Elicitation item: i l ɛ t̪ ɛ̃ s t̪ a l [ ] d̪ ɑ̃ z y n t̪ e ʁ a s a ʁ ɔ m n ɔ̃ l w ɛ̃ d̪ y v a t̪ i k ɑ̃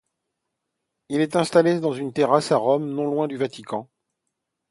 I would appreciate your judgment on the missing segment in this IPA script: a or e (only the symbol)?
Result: e